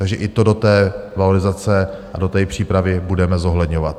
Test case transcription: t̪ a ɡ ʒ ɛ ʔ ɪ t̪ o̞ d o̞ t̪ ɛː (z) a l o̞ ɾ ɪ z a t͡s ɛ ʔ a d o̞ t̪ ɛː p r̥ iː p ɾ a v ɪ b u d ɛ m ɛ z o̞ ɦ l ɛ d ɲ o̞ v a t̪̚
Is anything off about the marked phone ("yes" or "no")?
yes